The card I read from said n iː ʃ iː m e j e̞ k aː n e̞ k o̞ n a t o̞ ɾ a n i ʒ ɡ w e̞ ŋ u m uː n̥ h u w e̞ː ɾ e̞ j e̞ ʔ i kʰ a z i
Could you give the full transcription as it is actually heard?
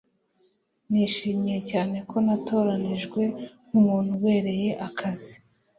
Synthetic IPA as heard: n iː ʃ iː m i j e̞ c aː n e̞ k o̞ n a t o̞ ɾ a n i ʒ ɡ w e̞ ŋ u m uː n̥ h u w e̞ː ɾ e̞ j e̞ ʔ a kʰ a z i